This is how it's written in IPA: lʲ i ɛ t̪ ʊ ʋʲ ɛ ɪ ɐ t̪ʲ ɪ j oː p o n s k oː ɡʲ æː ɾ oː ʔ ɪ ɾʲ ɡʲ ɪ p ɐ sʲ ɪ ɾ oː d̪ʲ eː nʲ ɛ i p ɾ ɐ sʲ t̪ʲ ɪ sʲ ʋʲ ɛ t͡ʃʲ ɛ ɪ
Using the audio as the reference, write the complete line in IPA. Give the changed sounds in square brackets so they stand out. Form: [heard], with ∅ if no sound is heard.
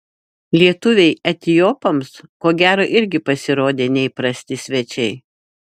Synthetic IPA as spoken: lʲ i ɛ t̪ ʊ ʋʲ ɛ ɪ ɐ t̪ʲ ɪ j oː p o [m] s k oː ɡʲ æː ɾ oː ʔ ɪ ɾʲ ɡʲ ɪ p ɐ sʲ ɪ ɾ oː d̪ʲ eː nʲ ɛ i p ɾ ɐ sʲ t̪ʲ ɪ sʲ ʋʲ ɛ t͡ʃʲ ɛ ɪ